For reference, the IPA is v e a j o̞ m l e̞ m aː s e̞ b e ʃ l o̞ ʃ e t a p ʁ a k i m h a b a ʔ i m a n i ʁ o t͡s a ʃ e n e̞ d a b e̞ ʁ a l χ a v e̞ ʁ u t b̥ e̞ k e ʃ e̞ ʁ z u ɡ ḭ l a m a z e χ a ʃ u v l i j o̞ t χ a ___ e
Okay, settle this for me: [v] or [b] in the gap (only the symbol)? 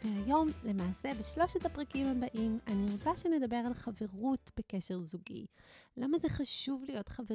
v